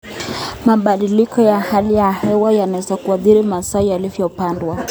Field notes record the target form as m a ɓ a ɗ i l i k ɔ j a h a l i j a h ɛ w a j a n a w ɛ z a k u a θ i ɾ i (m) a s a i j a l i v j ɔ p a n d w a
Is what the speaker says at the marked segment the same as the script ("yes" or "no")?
yes